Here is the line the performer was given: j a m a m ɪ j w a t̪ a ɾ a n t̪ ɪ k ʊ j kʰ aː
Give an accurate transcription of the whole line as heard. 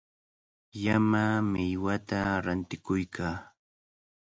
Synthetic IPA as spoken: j a m a m ɪ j w a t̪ a ɾ a n t̪ ɪ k ʊ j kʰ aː